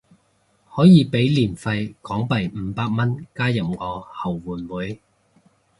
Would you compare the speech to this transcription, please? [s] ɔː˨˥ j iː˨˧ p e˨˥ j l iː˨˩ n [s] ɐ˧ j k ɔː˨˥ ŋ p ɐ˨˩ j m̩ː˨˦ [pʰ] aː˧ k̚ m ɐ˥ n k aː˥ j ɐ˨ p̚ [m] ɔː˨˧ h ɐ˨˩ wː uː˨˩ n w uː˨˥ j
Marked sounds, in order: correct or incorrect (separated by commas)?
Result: incorrect, incorrect, incorrect, incorrect